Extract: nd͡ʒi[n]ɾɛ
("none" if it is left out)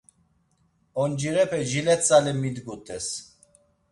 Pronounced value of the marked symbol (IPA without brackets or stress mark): none